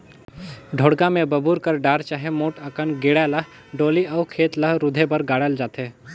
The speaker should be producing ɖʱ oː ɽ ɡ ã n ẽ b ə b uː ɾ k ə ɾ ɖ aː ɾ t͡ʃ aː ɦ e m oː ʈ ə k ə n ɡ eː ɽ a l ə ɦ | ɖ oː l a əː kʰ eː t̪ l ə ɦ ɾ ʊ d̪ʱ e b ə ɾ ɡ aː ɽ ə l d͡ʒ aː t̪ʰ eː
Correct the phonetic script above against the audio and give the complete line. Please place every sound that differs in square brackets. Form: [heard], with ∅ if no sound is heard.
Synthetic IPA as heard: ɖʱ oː ɽ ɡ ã [m] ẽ b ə b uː ɾ k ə ɾ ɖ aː ɾ t͡ʃ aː ɦ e m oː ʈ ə k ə n ɡ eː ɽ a l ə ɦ | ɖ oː l [i] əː kʰ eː t̪ l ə ɦ ɾ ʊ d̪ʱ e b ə ɾ ɡ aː ɽ ə l d͡ʒ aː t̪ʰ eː